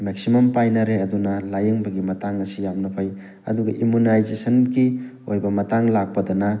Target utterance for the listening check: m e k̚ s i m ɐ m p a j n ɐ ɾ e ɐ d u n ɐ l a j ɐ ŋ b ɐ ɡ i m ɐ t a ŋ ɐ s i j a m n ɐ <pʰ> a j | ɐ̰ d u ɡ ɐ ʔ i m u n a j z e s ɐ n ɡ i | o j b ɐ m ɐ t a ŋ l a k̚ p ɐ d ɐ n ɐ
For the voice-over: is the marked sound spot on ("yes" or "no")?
yes